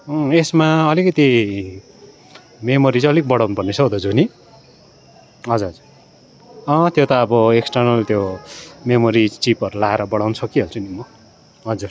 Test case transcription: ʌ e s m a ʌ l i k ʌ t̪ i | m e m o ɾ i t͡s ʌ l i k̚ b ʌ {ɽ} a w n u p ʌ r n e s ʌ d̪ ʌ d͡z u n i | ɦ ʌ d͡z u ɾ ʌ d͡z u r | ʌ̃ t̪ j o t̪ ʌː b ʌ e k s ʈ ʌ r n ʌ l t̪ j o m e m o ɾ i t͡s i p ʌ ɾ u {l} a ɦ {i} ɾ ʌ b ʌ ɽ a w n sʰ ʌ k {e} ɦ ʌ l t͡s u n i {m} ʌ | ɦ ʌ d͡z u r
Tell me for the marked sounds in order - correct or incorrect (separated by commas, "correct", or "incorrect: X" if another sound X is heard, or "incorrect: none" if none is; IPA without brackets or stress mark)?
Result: correct, correct, incorrect: e, incorrect: i, correct